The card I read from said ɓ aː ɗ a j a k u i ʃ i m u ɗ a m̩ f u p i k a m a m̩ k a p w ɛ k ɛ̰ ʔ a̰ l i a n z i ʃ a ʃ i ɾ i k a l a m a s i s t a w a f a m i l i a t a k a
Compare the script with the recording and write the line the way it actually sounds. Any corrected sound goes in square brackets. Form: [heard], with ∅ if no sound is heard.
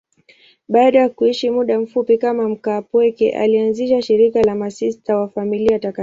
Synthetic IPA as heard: ɓ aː ɗ a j a k u i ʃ i m u ɗ a m̩ f u p i k a m a m̩ k a p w ɛ k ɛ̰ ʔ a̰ l i a n z i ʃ a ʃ i ɾ i k a l a m a s i s t a w a f a m i l i a t a k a